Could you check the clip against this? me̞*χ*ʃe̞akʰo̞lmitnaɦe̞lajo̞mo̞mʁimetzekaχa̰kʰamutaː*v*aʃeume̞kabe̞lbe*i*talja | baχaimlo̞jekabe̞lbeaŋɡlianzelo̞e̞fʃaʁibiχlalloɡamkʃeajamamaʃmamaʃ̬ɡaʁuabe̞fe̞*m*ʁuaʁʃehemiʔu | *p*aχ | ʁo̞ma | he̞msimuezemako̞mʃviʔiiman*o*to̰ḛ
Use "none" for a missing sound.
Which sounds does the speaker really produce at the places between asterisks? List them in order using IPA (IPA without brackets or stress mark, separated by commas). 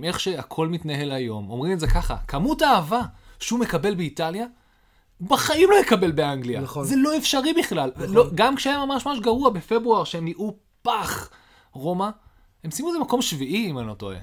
χ, v, i, b, p, o